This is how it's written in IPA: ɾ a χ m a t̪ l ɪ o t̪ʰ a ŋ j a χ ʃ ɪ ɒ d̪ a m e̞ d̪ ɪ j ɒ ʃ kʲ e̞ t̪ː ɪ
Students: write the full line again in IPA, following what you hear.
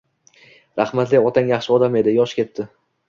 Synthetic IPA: ɾ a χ m a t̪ l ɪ ɒ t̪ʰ a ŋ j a χ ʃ ɪ ɒ d̪ a m e̞ d̪ ɪ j ɒ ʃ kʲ e̞ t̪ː ɪ